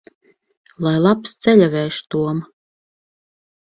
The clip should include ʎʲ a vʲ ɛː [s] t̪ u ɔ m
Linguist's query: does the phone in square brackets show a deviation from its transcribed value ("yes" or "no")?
yes